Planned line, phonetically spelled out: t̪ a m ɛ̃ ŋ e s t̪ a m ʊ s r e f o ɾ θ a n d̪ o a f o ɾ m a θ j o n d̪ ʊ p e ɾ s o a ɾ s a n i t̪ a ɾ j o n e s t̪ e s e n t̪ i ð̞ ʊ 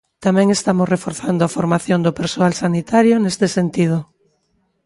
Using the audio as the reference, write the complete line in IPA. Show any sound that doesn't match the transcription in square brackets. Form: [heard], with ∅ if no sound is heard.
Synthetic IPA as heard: t̪ a m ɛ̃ ŋ e s t̪ a m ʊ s r e f o ɾ θ a n d̪ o a f o ɾ m a θ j o n d̪ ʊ p e ɾ s o a [l] s a n i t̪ a ɾ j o n e s t̪ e s e n t̪ i ð̞ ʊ

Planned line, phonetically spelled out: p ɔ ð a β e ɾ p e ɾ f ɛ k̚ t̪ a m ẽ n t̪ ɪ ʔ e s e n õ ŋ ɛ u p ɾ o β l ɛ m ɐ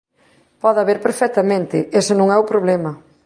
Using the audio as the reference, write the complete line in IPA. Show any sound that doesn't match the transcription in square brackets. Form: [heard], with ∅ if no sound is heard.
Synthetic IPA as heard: p ɔ ð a β e ɾ p e ɾ f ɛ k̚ t̪ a m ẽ n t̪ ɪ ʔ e s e n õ ŋ ɛ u p ɾ o β l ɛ m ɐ

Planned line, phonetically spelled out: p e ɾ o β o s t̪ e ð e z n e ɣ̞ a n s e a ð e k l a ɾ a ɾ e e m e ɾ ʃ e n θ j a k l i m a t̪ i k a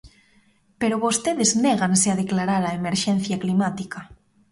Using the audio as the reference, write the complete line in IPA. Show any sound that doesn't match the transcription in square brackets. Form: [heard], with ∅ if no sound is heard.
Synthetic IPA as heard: p e ɾ o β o s t̪ e ð e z n e ɣ̞ a n s e a ð e k l a ɾ a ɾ [a] e m e ɾ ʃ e n θ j a k l i m a t̪ i k a

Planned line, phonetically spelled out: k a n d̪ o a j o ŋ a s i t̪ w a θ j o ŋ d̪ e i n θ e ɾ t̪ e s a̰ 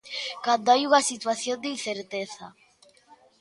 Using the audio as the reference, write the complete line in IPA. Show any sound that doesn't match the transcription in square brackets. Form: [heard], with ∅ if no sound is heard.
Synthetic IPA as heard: k a n d̪ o a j [u] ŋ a s i t̪ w a θ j o [n] d̪ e i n θ e ɾ t̪ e [θ] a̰

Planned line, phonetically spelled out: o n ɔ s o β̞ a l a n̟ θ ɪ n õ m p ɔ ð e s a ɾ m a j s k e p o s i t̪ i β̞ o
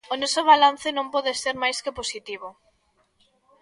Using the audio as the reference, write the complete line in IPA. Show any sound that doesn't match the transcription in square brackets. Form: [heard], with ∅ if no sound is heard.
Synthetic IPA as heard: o n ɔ s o β̞ a l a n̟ θ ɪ n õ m p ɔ ð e s [e] ɾ m a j s k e p o s i t̪ i β̞ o

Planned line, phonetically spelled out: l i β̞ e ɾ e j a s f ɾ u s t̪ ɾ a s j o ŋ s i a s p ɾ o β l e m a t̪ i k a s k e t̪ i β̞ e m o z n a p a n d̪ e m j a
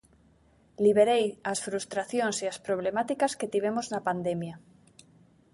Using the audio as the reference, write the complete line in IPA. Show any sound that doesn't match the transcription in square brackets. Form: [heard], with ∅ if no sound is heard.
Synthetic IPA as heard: l i β̞ e ɾ e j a s f ɾ u s t̪ ɾ a [θ] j o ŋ s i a s p ɾ o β l e m a t̪ i k a s k e t̪ i β̞ e m o z n a p a n d̪ e m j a

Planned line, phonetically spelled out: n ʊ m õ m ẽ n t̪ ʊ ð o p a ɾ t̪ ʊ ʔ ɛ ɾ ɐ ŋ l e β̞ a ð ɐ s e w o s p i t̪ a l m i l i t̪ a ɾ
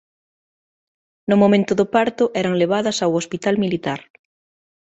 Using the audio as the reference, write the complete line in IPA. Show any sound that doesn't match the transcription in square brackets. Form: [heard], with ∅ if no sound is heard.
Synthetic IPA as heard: n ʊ m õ m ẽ n t̪ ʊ ð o p a ɾ t̪ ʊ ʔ ɛ ɾ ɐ ŋ l e β̞ a ð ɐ s [a] w o s p i t̪ a l m i l i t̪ a ɾ

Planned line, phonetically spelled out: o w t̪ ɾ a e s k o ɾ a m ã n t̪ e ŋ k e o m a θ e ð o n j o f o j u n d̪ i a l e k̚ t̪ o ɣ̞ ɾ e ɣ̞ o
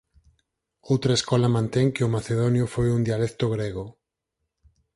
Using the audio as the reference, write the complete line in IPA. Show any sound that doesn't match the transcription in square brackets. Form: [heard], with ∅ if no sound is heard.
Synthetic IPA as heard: o w t̪ ɾ a e s k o [l] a m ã n t̪ e ŋ k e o m a θ e ð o n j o f o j u n d̪ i a l e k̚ t̪ o ɣ̞ ɾ e ɣ̞ o

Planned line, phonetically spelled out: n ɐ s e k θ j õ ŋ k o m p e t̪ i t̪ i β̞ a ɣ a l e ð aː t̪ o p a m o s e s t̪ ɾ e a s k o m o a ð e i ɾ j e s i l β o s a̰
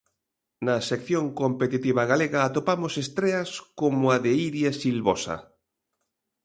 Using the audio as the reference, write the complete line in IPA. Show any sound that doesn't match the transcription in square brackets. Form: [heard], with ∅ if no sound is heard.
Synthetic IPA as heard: n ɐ s e k θ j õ ŋ k o m p e t̪ i t̪ i β̞ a ɣ a l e [ɣ] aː t̪ o p a m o s e s t̪ ɾ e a s k o m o a ð e i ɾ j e s i l β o s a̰

